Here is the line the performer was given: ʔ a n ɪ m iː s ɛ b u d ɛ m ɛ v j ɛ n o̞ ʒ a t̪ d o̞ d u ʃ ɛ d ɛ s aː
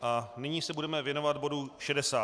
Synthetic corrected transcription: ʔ a n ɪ ɲ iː s ɛ b u d ɛ m ɛ v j ɛ n o̞ v a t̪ b o̞ d u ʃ ɛ d ɛ s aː

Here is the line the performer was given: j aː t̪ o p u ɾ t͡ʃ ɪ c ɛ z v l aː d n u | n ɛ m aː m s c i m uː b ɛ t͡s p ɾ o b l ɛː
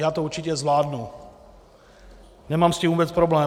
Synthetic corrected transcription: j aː t̪ o u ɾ t͡ʃ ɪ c ɛ z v l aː d n u | n ɛ m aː m s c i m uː b ɛ t͡s p ɾ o b l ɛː

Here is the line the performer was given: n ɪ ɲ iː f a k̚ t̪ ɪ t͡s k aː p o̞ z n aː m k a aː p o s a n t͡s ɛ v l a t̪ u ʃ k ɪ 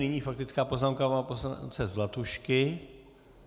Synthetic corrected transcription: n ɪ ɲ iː f a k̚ t̪ ɪ t͡s k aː p o̞ z n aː m k a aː p o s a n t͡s ɛ z l a t̪ u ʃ k ɪ

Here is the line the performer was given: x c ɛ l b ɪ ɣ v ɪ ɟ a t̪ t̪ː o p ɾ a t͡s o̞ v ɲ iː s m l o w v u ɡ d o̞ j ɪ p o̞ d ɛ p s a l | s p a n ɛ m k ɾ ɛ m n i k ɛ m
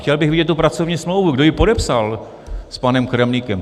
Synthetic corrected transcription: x c ɛ l b ɪ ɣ v ɪ ɟ ɛ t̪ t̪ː u p ɾ a t͡s o̞ v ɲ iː s m l o w v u ɡ d o̞ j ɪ p o̞ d ɛ p s a l | s p a n ɛ m k ɾ ɛ m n i k ɛ m

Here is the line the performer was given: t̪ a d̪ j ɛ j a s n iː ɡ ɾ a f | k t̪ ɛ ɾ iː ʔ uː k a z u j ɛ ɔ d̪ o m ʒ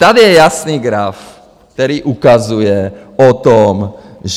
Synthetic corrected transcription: t̪ a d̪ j ɛ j a s n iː ɡ ɾ a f | k t̪ ɛ ɾ iː ʔ u k a z u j ɛ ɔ t̪ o m ʒ

